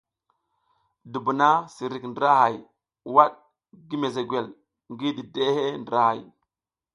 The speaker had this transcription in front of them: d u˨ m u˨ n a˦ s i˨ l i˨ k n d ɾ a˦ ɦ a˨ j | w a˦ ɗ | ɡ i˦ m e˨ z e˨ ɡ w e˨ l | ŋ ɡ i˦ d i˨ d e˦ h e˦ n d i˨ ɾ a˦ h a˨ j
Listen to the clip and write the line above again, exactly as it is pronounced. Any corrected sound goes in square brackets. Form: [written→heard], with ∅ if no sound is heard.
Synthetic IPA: d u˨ [m→b] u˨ n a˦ s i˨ [l→ɾ] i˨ k n d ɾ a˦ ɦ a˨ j | w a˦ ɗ | ɡ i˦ m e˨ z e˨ ɡ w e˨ l | ŋ ɡ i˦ d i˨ d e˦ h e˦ n d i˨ ɾ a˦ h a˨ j